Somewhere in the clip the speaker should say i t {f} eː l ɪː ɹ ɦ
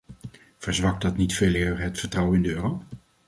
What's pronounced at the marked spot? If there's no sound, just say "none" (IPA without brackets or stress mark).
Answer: f